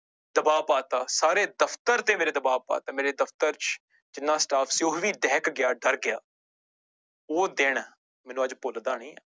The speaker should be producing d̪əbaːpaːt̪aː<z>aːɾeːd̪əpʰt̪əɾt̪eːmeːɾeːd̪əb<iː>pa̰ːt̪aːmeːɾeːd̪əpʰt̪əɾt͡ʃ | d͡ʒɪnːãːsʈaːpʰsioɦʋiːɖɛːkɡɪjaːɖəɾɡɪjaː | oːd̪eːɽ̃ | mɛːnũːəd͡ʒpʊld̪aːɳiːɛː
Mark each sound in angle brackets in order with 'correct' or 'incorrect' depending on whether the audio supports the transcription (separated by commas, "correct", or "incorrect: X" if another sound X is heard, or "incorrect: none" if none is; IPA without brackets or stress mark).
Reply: incorrect: s, incorrect: aː